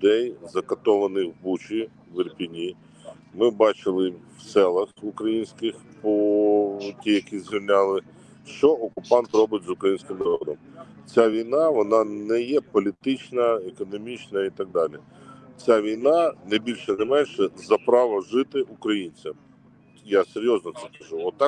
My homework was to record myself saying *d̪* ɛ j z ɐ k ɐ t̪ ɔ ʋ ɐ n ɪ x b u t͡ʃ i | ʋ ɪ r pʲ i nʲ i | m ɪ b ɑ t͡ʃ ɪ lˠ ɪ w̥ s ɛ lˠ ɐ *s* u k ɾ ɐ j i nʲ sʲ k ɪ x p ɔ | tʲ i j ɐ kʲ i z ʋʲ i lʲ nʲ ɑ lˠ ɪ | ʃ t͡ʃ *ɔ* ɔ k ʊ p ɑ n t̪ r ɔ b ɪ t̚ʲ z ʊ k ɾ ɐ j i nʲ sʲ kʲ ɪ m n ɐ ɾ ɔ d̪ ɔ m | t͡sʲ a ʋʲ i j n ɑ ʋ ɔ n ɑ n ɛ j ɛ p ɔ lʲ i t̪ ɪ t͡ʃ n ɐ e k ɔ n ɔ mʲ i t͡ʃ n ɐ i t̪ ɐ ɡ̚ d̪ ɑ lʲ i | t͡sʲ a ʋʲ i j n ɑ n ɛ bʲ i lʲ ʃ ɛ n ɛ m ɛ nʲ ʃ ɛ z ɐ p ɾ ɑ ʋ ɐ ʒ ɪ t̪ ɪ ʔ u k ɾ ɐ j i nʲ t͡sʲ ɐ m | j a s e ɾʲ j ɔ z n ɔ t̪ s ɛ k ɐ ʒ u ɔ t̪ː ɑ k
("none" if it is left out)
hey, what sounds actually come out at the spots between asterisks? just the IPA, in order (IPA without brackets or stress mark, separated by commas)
d̪, x, ɔ